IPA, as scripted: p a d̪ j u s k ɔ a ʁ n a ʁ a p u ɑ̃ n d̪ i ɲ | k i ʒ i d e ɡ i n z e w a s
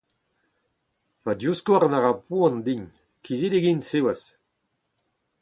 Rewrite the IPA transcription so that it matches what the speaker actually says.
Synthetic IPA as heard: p a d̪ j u s k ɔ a ʁ n a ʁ a p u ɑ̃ n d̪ i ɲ | k i z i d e ɡ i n s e w a s